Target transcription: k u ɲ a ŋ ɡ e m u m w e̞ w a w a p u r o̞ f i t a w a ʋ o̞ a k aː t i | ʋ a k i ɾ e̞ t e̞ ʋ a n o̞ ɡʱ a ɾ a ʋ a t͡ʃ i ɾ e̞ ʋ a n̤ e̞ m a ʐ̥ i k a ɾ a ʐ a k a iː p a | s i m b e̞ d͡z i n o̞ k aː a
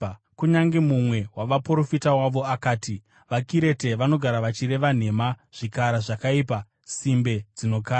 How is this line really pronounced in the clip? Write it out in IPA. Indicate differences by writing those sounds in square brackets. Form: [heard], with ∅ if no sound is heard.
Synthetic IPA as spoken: k u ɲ a ŋ ɡ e m u m w e̞ w a [ʋ] a p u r o̞ f i t a w a ʋ o̞ a k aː t i | ʋ a k i ɾ e̞ t e̞ ʋ a n o̞ ɡʱ a ɾ a ʋ a t͡ʃ i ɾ e̞ ʋ a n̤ e̞ m a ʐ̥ i k a ɾ a ʐ a k a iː p a | s i m b e̞ d͡z i n o̞ k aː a